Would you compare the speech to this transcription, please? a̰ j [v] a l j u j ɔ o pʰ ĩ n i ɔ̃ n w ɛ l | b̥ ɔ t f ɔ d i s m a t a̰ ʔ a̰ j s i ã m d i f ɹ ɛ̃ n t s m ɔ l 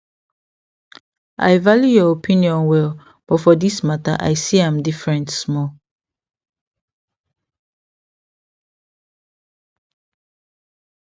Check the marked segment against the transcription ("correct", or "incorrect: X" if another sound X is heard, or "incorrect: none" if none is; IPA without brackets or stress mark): correct